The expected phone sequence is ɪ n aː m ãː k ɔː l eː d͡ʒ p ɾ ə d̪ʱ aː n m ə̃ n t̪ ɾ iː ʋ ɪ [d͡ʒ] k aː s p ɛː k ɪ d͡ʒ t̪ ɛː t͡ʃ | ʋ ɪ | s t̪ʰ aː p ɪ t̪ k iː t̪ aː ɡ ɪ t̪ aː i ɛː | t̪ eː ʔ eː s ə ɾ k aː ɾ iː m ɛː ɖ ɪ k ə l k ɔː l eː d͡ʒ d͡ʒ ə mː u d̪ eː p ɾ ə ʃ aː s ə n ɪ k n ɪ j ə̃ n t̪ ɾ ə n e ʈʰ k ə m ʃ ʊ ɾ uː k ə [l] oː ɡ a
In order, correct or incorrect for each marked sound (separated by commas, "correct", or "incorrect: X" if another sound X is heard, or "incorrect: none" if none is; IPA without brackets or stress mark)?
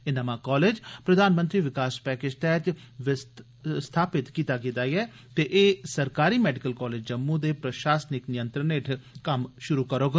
incorrect: none, incorrect: ɾ